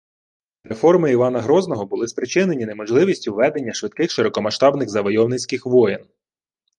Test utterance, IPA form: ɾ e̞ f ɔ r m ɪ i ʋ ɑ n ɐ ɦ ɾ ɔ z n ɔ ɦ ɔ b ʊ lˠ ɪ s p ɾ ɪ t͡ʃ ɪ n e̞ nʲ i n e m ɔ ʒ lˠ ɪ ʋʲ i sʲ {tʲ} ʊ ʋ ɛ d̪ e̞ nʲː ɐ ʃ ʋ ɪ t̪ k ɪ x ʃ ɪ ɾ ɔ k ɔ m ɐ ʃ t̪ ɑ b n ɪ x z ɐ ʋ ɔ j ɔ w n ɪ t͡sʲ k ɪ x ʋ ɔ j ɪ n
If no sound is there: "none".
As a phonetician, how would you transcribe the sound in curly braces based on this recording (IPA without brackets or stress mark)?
tʲ